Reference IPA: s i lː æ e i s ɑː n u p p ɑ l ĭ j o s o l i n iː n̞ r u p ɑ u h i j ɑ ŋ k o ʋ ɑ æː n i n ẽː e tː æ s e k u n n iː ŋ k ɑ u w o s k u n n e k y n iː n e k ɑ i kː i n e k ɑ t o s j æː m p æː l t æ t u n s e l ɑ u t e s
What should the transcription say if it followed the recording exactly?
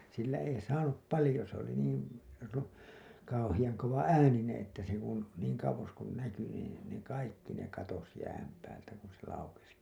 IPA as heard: s i lː æ e i s ɑː n u p p ɑ l ĭ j o s o l i n iː n̞ r u k ɑ u h i j ɑ ŋ k o ʋ ɑ æː n i n ẽː e tː æ s e k u n n iː ŋ k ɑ u w o s k u n n æ k y n iː n e k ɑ i kː i n e k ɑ t o s j æː m p æː l t æ k u n s e l ɑ u k e s